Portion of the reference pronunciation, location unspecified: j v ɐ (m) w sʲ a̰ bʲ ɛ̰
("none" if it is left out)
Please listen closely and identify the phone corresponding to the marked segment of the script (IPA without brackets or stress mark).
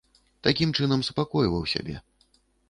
none